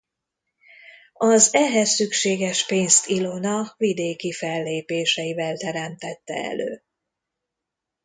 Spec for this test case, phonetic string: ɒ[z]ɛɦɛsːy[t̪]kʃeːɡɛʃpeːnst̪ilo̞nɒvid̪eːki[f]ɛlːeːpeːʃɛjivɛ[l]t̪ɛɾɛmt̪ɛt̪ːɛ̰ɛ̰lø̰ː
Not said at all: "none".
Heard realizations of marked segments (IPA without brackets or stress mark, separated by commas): z, none, f, l